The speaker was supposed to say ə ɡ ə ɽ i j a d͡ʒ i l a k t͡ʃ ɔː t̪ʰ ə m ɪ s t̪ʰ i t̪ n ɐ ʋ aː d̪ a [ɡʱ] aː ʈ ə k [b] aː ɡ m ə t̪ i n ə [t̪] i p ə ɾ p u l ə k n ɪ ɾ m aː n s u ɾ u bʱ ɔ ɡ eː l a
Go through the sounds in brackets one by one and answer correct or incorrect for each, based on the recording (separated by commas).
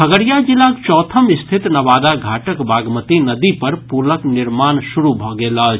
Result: correct, correct, incorrect